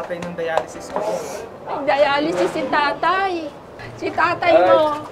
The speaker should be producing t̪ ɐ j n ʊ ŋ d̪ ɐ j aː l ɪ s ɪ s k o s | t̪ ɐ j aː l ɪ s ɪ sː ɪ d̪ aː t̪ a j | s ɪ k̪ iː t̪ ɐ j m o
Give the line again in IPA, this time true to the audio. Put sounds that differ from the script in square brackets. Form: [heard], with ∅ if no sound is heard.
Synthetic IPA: t̪ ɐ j n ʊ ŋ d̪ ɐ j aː l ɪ s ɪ s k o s | [d̪] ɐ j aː l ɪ s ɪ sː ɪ [t̪] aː t̪ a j | s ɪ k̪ [aː] t̪ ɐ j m o